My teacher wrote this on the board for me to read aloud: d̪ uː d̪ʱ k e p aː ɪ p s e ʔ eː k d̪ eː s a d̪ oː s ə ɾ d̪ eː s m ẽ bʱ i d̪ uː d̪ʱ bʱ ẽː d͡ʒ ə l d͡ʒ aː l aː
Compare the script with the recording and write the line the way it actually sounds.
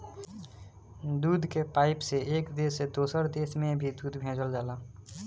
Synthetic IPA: d̪ uː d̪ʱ k e p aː ɪ p s e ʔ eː k d̪ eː s e d̪ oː s ə ɾ d̪ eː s m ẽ bʱ i d̪ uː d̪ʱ bʱ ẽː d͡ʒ ə l d͡ʒ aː l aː